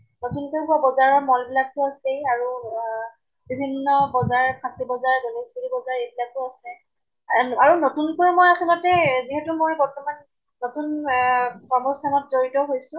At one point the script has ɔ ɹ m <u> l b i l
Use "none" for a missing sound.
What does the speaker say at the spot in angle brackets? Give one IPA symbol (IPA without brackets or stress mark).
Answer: ɔ